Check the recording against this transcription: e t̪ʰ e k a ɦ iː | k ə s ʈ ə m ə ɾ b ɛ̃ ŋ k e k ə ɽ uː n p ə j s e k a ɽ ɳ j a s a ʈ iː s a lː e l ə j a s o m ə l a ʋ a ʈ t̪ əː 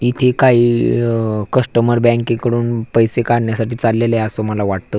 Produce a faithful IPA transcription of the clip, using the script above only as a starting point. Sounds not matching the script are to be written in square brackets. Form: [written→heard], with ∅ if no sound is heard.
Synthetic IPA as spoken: [e→i] t̪ʰ e k a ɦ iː | k ə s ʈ ə m ə ɾ b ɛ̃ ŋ k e k ə ɽ uː n p ə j s e k a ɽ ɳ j a s a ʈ iː [s→t͡s] a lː e l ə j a s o m ə l a ʋ a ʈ t̪ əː

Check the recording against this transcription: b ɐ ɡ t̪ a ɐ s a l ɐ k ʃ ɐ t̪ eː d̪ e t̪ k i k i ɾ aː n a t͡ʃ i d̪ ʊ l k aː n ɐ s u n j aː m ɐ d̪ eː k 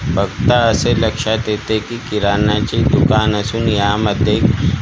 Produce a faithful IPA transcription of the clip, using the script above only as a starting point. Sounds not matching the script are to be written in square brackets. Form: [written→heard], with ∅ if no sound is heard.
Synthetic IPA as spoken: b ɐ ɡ t̪ a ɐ s [a→e] l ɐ k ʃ [ɐ→a] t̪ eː [d̪→t̪] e [t̪→∅] k i k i ɾ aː n a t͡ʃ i d̪ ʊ [l→∅] k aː n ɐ s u n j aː m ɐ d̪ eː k

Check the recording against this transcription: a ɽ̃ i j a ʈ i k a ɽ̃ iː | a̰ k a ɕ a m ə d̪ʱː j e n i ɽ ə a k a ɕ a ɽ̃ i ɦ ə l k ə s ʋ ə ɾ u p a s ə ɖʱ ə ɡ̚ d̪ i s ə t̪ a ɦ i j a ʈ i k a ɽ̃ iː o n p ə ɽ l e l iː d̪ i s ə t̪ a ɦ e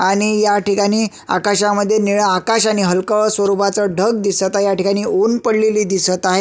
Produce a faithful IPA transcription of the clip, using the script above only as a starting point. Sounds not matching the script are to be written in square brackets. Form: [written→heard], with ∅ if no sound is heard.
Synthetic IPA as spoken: a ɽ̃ i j a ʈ i k a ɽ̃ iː | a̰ k a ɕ a m ə d̪ʱː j e n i [ɽ→ɭ] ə a k a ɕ a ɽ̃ i ɦ ə l k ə s ʋ ə ɾ u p a [s→t͡s] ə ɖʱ ə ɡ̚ d̪ i s ə t̪ a ɦ [i→e] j a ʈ i k a ɽ̃ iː o n p ə ɽ l e l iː d̪ i s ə t̪ a ɦ e

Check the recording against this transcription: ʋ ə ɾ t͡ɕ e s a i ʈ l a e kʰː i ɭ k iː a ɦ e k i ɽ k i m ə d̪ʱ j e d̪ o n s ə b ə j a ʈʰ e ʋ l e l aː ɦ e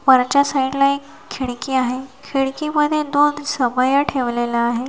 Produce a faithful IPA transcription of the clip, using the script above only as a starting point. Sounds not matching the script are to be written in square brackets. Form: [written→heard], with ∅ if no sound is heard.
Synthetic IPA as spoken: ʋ ə ɾ t͡ɕ [e→a] s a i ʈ l a e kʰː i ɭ k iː a ɦ e [k→kʰ] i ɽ k i m ə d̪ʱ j e d̪ o n s ə b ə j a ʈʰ e ʋ l e l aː ɦ e

